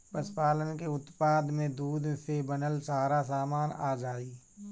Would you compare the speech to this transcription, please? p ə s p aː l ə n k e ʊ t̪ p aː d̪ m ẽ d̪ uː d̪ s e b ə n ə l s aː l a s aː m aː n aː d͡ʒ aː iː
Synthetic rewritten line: p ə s p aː l ə n k e ʊ t̪ p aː d̪ m ẽ d̪ uː d̪ s e b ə n ə l s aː ɾ a s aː m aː n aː d͡ʒ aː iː